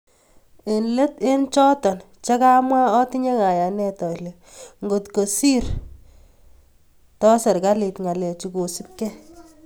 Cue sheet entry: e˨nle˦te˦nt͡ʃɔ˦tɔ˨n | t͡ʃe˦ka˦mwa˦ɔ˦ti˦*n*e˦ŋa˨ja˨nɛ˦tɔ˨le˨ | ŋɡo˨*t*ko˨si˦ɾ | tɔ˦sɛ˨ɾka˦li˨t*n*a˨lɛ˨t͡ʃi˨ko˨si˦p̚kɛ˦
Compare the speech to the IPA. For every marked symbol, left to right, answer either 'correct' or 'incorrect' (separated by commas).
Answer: incorrect, correct, incorrect